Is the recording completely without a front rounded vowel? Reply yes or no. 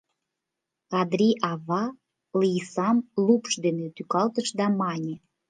no